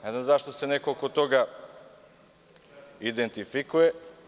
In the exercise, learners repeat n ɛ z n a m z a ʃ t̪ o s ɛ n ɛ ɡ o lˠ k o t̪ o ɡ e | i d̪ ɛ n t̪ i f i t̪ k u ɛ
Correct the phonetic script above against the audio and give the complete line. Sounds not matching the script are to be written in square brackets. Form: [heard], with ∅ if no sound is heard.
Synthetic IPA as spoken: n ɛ z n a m z a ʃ t̪ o s ɛ n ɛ [k] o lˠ k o t̪ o ɡ [a] | i d̪ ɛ n t̪ i f i [∅] k u ɛ